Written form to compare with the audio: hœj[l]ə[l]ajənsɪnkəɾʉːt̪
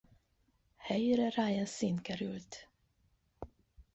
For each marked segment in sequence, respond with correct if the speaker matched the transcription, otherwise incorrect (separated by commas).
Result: incorrect, incorrect